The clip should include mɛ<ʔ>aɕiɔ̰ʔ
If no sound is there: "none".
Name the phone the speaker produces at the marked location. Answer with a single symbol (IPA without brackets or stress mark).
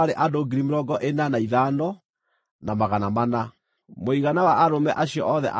ʔ